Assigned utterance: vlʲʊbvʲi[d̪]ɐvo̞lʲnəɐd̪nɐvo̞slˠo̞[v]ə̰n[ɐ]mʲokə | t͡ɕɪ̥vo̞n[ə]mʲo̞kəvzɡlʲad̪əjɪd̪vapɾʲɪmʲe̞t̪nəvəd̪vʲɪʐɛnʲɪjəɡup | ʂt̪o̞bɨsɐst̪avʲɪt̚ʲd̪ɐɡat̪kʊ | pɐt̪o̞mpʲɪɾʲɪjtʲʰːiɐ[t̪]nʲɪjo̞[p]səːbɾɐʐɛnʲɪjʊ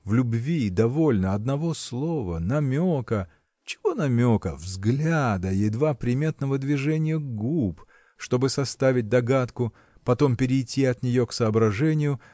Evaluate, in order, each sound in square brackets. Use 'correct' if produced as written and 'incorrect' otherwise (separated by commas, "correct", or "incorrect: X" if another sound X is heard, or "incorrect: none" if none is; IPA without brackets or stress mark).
correct, correct, correct, incorrect: ɐ, correct, incorrect: k